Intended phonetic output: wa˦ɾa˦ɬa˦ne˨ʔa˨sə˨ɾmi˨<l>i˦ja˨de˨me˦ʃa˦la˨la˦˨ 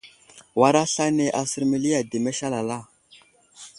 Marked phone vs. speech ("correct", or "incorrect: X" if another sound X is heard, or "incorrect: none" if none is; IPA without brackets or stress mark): correct